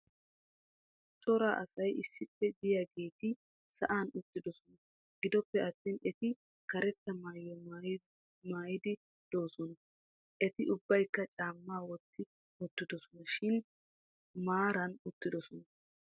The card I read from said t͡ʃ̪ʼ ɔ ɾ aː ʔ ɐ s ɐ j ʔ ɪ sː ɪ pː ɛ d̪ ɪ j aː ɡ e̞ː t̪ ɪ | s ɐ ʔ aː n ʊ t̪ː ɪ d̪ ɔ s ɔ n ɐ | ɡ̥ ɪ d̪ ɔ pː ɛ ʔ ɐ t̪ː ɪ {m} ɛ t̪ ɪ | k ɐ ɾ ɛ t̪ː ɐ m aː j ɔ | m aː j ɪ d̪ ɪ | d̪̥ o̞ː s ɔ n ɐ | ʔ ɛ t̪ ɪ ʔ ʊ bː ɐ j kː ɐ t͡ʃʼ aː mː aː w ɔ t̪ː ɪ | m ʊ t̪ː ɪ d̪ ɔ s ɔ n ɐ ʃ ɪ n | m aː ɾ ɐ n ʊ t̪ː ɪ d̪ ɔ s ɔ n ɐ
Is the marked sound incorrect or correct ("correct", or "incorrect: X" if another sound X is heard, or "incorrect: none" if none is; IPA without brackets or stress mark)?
incorrect: n